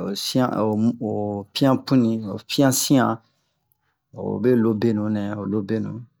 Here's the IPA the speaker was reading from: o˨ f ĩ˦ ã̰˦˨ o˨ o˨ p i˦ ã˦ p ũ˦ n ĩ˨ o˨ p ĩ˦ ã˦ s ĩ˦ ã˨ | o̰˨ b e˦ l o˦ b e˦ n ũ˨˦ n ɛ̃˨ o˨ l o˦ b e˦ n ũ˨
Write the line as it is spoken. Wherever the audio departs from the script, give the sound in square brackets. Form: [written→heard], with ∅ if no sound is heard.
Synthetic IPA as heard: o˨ [f→s] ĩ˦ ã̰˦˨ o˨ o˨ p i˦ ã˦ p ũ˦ n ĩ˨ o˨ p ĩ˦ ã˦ s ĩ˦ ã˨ | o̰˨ b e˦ l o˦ b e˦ n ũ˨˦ n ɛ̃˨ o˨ l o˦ b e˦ n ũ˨